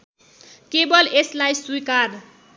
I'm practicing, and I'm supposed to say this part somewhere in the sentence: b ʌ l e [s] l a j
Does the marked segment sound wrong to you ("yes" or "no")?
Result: no